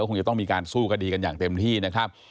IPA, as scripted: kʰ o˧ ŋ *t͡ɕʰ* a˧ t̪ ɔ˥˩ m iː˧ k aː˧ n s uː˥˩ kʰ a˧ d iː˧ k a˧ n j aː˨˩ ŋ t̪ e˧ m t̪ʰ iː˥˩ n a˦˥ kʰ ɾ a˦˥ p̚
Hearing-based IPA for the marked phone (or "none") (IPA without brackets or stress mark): t͡ɕ